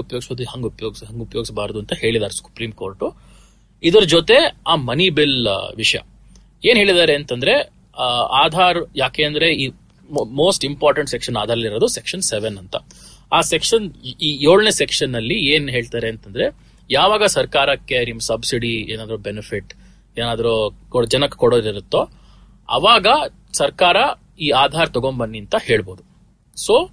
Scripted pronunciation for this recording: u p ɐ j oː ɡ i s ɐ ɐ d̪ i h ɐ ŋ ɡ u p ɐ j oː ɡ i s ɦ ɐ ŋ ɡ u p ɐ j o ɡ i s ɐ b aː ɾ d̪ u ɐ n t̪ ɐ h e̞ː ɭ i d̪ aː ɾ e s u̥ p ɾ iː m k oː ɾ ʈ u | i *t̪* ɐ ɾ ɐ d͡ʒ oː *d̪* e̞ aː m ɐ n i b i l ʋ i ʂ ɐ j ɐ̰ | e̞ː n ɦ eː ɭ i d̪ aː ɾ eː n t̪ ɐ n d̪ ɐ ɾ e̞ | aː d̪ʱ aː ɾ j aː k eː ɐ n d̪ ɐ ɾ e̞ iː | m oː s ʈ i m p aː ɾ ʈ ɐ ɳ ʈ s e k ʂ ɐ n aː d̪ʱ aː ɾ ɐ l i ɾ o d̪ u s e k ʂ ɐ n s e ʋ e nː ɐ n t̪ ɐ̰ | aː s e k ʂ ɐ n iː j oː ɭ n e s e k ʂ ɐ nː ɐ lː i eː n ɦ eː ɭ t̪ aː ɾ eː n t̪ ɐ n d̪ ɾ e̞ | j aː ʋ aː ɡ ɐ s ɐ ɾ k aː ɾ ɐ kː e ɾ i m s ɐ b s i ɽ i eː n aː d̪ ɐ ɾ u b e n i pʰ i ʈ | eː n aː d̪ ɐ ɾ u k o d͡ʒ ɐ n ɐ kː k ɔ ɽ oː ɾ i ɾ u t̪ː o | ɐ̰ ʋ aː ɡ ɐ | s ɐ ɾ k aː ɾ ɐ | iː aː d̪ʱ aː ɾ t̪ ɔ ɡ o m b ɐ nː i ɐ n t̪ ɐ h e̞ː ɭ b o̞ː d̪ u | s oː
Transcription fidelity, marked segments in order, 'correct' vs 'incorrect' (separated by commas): incorrect, incorrect